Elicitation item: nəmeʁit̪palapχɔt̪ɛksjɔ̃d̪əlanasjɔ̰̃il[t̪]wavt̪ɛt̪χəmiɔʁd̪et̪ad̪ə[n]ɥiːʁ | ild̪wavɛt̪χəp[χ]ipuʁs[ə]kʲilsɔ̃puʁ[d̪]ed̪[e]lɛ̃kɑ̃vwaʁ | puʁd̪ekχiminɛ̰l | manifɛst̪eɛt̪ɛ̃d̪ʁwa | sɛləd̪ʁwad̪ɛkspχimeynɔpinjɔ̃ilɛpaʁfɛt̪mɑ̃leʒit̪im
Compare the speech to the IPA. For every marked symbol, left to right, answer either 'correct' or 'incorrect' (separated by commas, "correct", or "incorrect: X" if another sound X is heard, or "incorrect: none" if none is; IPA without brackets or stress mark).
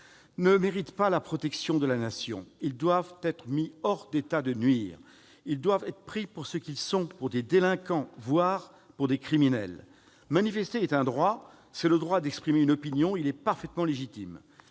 incorrect: d̪, correct, correct, correct, correct, correct